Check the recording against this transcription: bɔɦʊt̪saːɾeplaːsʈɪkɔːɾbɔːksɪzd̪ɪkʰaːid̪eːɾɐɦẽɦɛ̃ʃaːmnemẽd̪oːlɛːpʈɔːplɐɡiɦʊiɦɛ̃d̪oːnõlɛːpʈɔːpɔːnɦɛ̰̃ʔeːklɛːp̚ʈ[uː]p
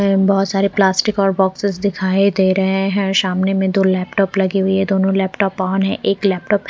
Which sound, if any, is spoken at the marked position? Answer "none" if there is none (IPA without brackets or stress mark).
ɔː